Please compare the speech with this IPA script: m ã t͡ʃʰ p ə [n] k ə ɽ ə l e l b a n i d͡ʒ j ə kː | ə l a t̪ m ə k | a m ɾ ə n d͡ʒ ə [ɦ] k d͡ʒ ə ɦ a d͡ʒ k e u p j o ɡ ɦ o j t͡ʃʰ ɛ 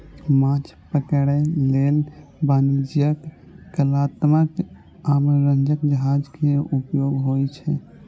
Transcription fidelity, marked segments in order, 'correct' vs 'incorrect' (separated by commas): incorrect, incorrect